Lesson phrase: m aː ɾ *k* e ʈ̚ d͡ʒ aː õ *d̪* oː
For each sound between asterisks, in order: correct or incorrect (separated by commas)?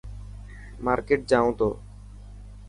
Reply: correct, incorrect